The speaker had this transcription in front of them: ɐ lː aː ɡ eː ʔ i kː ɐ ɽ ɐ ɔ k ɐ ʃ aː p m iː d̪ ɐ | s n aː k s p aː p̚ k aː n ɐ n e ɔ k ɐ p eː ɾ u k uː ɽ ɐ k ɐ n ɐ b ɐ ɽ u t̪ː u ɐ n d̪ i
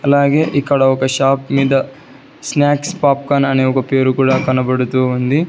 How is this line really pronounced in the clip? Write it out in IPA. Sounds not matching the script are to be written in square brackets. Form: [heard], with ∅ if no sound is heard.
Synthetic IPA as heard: ɐ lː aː ɡ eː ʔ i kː ɐ ɽ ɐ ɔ k ɐ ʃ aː p m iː d̪ ɐ | s n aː k s p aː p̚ k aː n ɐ n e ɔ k ɐ p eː ɾ u k uː ɽ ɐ k ɐ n ɐ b ɐ ɽ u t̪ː u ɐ n d̪ i

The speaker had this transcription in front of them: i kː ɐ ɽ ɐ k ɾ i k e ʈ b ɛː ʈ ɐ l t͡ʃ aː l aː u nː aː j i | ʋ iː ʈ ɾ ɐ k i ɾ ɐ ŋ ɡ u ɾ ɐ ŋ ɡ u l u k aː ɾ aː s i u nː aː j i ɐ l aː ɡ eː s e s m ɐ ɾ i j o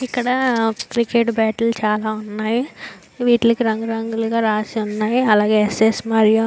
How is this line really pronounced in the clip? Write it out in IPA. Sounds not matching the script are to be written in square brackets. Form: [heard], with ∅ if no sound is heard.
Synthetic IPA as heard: i kː ɐ ɽ ɐ k ɾ i k e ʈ b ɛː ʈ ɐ l t͡ʃ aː l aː u nː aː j i | ʋ iː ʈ [l] ɐ k i ɾ ɐ ŋ ɡ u ɾ ɐ ŋ ɡ u l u [ɡ] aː ɾ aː s i u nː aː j i ɐ l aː ɡ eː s e s m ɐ ɾ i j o

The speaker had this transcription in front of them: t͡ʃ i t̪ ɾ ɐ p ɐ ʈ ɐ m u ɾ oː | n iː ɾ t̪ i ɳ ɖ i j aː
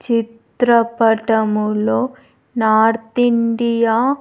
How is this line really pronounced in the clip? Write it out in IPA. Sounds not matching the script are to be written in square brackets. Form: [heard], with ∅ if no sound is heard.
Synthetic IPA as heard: t͡ʃ i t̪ ɾ ɐ p ɐ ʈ ɐ m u [l] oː | n [aː] ɾ t̪ i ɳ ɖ i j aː

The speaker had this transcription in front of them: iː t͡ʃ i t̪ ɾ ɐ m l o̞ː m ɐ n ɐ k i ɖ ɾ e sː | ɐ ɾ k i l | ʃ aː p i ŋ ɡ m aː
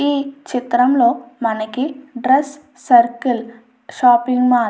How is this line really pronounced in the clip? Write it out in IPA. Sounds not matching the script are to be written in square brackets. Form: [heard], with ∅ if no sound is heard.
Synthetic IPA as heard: iː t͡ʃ i t̪ ɾ ɐ m l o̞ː m ɐ n ɐ k i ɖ ɾ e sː | ɐ ɾ k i l | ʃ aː p i ŋ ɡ m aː

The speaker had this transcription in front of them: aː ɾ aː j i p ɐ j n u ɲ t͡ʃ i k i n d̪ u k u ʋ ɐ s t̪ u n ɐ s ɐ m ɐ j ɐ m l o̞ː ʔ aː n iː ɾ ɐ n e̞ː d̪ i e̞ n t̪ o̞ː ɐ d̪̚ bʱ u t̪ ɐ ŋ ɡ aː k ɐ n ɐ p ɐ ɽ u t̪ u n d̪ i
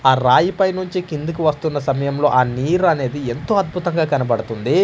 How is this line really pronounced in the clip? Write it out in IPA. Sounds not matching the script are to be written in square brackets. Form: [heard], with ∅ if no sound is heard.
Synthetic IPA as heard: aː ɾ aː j i p ɐ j n u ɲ t͡ʃ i k i n d̪ u k u ʋ ɐ s t̪ u [nː] ɐ s ɐ m ɐ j ɐ m l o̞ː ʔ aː n iː ɾ ɐ n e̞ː d̪ i e̞ n t̪ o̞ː ɐ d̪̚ bʱ u t̪ ɐ ŋ ɡ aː k ɐ n ɐ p ɐ ɽ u t̪ u n d̪ i

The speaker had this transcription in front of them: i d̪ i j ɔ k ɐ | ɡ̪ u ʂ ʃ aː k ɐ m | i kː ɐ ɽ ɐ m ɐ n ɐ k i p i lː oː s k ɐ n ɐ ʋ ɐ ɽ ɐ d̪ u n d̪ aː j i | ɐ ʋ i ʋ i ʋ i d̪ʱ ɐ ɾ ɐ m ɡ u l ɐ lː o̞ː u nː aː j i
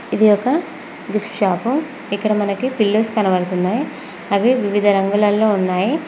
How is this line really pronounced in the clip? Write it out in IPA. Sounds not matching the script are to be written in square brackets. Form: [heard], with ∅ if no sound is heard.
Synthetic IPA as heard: i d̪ i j ɔ k ɐ | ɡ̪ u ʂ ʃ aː [p] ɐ m | i kː ɐ ɽ ɐ m ɐ n ɐ k i p i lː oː s k ɐ n ɐ ʋ ɐ ɽ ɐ [t̪] u n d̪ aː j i | ɐ ʋ i ʋ i ʋ i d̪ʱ ɐ ɾ ɐ [ŋ] ɡ u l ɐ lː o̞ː u nː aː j i

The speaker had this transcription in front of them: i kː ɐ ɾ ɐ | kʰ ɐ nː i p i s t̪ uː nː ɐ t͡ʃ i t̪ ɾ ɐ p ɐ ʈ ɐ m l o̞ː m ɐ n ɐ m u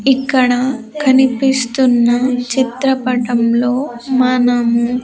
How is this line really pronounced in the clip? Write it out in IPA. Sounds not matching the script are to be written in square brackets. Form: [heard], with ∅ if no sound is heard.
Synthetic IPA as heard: i kː ɐ [ɽ] ɐ | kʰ ɐ [n] i p i s t̪ [u] nː ɐ t͡ʃ i t̪ ɾ ɐ p ɐ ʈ ɐ m l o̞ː m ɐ n ɐ m u

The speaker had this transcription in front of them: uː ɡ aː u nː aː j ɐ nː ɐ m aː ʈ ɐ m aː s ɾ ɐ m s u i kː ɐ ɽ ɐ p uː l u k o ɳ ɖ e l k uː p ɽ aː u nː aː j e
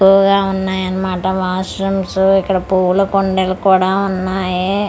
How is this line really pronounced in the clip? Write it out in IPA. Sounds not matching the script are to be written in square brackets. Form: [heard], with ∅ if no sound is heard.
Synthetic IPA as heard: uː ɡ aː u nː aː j ɐ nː ɐ m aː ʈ ɐ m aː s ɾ ɐ m s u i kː ɐ ɽ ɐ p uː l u k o ɳ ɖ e l k uː [∅] ɽ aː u nː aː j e

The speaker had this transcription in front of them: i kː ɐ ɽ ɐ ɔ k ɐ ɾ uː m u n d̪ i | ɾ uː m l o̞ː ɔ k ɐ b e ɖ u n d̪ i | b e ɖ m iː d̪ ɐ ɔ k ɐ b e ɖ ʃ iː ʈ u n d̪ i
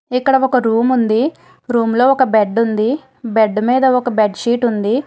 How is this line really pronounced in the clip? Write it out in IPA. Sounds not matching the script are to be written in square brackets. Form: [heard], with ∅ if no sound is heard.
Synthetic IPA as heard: i kː ɐ ɽ ɐ ɔ k ɐ ɾ uː m u n d̪ i | ɾ uː m l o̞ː ɔ k ɐ b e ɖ u n d̪ i | b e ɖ m iː d̪ ɐ ɔ k ɐ b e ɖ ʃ iː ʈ u n d̪ i

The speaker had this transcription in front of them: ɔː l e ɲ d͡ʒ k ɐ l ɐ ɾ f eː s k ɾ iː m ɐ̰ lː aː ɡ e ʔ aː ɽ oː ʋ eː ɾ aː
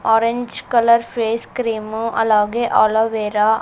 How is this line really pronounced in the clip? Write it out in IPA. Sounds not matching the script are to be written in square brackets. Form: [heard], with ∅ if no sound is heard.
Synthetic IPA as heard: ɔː [ɾ] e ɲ d͡ʒ k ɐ l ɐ ɾ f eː s k ɾ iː m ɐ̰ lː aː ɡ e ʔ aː [l] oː ʋ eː ɾ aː

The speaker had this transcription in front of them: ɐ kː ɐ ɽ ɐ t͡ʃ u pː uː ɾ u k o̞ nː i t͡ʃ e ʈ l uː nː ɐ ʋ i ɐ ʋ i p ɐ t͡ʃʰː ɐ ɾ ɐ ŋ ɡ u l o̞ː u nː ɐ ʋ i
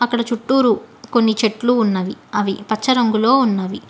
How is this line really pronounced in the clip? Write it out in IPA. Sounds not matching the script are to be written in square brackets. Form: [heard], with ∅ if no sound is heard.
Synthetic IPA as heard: ɐ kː ɐ ɽ ɐ t͡ʃ u [ʈː] uː ɾ u k o̞ nː i t͡ʃ e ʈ l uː nː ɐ ʋ i ɐ ʋ i p ɐ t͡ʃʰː ɐ ɾ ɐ ŋ ɡ u l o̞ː u nː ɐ ʋ i

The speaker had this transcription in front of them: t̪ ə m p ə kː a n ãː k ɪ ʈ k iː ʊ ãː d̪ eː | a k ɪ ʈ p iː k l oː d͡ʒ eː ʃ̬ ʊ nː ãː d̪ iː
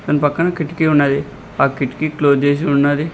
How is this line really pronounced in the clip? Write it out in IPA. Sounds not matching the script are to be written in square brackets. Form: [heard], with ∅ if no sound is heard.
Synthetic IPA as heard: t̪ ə [n] p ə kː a n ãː k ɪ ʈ k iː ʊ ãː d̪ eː | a k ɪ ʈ [k] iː k l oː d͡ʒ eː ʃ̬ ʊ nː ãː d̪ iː

